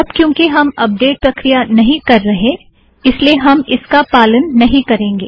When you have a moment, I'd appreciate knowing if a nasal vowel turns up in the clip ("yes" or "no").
yes